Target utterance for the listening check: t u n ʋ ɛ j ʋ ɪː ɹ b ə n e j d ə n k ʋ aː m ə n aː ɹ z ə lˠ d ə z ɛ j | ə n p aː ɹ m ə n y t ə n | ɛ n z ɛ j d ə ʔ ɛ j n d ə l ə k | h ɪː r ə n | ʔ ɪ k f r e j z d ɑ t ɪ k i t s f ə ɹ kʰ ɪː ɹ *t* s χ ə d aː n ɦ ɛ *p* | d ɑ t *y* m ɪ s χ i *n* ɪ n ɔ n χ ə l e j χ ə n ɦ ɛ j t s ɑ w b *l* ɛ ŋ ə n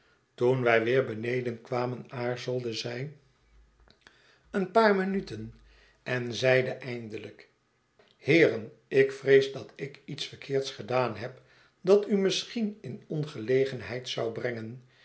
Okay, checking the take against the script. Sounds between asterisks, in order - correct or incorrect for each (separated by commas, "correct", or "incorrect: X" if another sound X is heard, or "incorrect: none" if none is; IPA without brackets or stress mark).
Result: correct, correct, correct, correct, incorrect: r